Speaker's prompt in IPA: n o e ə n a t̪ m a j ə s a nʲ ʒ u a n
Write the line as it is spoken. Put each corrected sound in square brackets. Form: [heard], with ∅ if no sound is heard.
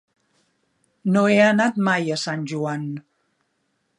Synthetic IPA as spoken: n o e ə n a t̪ m a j ə s a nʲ ʒ u a n